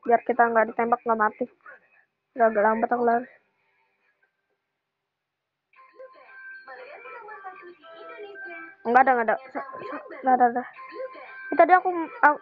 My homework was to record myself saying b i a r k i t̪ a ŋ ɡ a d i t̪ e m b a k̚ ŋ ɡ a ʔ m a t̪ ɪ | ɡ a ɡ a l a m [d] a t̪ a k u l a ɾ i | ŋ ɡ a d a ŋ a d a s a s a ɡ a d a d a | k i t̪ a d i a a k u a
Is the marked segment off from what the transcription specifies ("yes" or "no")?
yes